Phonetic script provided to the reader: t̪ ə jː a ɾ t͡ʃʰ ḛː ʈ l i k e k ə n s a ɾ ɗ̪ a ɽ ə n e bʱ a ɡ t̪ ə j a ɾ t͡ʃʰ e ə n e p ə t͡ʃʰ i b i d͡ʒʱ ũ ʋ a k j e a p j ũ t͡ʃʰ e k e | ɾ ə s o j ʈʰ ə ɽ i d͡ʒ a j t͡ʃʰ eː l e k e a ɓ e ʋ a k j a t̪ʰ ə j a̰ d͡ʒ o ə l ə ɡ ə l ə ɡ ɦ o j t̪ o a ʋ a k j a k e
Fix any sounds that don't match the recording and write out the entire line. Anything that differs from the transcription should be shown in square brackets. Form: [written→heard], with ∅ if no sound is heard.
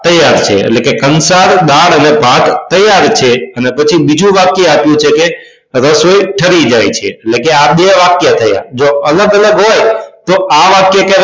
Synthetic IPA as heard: t̪ ə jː a ɾ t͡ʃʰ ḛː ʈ l [i→e] k e k ə n s a ɾ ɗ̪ a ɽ ə n e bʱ a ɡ t̪ ə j a ɾ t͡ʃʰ e ə n e p ə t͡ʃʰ i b i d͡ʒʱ ũ ʋ a k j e a p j ũ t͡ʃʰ e k e | ɾ ə s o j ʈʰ ə [ɽ→ɾ] i d͡ʒ a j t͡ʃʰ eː l e k e a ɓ e ʋ a k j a t̪ʰ ə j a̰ d͡ʒ o ə l ə ɡ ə l ə ɡ ɦ o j t̪ o a ʋ a k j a k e